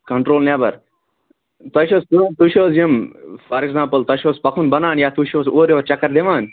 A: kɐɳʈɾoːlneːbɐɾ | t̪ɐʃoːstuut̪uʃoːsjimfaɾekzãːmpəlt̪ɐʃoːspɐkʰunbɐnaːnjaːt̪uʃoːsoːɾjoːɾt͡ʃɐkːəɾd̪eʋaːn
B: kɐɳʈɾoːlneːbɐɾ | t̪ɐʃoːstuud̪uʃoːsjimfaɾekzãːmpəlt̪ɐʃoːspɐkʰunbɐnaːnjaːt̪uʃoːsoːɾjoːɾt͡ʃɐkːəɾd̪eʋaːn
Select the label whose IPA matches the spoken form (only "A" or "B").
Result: A